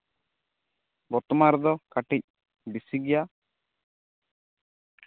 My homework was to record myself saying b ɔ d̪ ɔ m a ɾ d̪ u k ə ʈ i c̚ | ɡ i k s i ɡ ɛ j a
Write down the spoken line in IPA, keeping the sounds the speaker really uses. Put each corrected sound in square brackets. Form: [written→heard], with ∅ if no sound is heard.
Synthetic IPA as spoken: b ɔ [d̪→t̪] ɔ m a ɾ d̪ [u→ɔ] k [ə→a] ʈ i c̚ | [ɡ→b] i [k→∅] s i ɡ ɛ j a